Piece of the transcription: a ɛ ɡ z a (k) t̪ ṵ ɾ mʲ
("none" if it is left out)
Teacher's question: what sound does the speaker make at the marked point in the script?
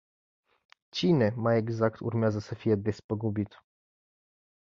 k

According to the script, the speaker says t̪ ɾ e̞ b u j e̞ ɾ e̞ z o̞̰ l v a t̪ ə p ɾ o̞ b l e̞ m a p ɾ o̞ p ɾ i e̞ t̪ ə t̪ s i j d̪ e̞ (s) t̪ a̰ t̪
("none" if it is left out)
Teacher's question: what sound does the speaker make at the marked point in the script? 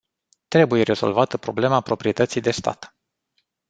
s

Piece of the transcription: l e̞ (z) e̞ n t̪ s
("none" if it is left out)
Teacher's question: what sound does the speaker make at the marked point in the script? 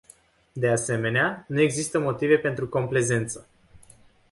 z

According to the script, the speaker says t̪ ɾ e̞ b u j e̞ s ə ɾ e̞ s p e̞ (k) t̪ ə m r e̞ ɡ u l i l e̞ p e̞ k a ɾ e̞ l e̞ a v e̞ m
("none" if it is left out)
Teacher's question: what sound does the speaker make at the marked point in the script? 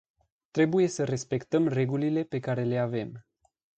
k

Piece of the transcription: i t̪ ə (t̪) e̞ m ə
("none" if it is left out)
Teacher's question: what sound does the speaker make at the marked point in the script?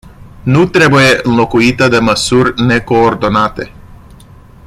d̪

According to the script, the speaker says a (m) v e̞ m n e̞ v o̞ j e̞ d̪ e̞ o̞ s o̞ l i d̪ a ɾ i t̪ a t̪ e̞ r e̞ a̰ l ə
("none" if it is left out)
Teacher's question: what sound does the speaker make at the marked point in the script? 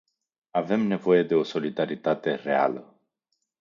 none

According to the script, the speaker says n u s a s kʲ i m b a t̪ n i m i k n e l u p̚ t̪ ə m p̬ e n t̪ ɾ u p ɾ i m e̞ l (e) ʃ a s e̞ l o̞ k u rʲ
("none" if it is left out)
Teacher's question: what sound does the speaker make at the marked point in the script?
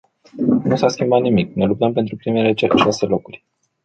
e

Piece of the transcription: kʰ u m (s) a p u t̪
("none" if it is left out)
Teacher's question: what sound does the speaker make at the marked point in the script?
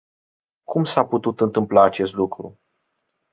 s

